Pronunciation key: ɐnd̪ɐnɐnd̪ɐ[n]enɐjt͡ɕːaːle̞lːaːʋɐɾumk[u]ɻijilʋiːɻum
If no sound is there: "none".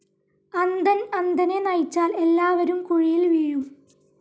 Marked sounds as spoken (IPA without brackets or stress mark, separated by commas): n, u